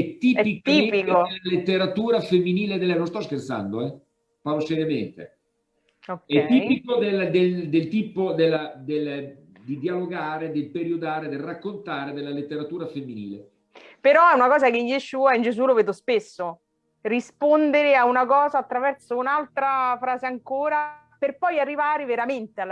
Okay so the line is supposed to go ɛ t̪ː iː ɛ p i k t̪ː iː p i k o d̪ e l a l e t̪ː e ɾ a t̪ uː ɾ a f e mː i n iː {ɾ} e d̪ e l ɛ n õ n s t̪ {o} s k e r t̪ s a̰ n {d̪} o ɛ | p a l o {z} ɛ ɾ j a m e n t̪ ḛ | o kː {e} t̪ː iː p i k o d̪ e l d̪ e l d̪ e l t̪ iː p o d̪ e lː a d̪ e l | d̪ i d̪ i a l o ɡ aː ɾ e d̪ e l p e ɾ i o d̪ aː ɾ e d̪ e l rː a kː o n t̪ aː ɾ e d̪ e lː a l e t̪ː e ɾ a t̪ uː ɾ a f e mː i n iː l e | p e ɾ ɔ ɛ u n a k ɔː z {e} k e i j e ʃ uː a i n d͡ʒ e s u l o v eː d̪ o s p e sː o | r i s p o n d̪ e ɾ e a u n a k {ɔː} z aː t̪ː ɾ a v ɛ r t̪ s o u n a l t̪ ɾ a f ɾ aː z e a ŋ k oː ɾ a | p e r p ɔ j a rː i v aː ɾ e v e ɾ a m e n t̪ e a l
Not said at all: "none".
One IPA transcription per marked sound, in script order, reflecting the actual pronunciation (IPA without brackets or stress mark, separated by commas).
l, ɔ, d̪, s, ɛ, a, ɔː